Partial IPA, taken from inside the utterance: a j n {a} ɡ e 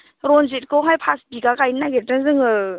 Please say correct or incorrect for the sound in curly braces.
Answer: correct